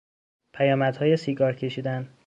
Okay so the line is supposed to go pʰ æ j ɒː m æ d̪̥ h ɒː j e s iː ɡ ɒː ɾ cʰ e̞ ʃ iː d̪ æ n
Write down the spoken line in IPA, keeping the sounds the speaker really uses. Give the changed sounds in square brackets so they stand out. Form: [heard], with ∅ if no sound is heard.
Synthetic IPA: pʰ æ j ɒː m æ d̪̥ h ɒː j e s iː ɡ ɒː ɾ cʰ e̞ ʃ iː d̪ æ n